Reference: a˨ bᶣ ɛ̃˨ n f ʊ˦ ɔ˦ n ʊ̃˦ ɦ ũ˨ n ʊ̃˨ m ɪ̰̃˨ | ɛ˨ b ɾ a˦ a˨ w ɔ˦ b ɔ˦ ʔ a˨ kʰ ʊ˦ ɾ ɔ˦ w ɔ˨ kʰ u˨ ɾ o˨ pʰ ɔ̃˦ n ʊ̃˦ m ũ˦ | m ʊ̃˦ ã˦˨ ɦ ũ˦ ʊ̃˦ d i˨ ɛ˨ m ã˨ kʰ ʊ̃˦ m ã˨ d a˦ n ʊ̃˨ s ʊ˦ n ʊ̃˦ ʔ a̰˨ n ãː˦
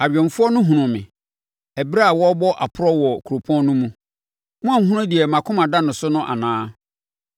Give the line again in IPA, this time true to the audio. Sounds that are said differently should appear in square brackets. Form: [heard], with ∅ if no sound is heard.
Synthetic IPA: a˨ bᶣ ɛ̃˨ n f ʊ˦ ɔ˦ n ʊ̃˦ ɦ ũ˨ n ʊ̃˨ m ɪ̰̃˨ | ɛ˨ b ɾ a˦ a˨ w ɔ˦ b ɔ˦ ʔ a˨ [pʰ] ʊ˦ ɾ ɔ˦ w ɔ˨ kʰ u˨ ɾ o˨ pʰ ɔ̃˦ n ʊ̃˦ m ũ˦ | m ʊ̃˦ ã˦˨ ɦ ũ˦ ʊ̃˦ d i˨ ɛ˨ m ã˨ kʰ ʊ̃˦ m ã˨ d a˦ n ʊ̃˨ s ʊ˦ n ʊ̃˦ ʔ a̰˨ n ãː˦